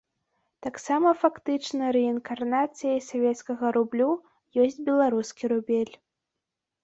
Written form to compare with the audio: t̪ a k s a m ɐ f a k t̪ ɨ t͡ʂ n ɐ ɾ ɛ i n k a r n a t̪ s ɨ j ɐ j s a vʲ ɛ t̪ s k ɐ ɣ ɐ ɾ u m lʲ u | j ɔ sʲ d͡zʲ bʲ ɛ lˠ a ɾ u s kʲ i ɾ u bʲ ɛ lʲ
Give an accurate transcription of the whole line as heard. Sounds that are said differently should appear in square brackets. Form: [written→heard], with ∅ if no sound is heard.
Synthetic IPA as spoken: t̪ a k s a m ɐ f a k t̪ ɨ t͡ʂ n ɐ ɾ ɛ i n k a r n a t̪ s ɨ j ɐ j s a vʲ ɛ t̪ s k ɐ ɣ ɐ ɾ u [m→b] lʲ u | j ɔ sʲ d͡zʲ bʲ ɛ lˠ a ɾ u s kʲ i ɾ u bʲ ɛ lʲ